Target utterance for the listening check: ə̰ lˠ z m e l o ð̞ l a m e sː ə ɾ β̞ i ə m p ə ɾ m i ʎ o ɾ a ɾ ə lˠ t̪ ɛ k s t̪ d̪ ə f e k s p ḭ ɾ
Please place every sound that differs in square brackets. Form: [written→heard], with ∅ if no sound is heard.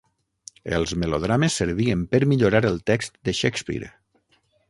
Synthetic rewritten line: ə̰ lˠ z m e l o ð̞ [l→ɾ] a m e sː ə ɾ β̞ i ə m p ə ɾ m i ʎ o ɾ a ɾ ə lˠ t̪ ɛ k s t̪ d̪ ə [f→ʃ] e k s p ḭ ɾ